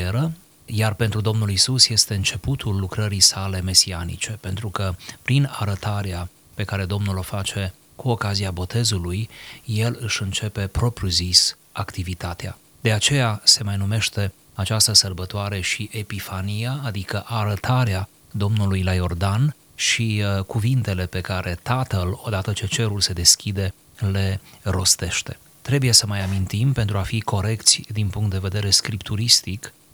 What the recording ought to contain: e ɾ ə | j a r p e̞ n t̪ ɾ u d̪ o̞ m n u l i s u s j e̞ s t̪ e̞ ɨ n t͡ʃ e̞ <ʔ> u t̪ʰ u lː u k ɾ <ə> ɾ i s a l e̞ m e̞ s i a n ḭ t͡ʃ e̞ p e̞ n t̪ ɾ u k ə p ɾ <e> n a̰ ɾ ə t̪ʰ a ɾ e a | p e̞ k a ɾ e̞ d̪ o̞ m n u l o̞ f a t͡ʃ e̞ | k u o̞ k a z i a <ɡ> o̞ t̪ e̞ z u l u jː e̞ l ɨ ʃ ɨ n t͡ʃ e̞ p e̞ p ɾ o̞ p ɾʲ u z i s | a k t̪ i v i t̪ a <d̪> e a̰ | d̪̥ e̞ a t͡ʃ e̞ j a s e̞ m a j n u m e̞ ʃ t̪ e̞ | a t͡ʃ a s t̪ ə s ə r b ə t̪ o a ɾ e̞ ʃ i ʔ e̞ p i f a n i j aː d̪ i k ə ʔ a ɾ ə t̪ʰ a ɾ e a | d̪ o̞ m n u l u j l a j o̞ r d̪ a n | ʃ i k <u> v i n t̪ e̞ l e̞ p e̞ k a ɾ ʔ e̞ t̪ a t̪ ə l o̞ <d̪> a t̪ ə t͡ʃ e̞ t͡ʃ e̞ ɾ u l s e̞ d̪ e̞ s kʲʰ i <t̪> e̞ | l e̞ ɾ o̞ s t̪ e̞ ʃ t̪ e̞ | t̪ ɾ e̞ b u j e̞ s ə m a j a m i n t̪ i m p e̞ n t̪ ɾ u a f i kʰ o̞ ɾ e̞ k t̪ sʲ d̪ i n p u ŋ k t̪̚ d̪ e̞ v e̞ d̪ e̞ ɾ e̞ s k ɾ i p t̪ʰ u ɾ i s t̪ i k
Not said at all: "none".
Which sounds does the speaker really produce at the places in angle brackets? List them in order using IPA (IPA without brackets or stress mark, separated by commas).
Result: p, ə, i, b, t̪, u, d̪, d̪